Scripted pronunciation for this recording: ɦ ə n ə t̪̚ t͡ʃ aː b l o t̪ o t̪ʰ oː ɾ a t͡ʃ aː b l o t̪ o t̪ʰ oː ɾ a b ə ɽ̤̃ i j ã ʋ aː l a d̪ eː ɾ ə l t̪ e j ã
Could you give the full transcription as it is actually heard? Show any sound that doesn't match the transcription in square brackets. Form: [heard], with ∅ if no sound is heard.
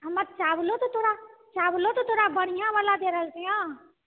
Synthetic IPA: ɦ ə [m] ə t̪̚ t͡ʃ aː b l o t̪ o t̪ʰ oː ɾ a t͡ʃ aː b l o t̪ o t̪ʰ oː ɾ a b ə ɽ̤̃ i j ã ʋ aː l a d̪ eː ɾ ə l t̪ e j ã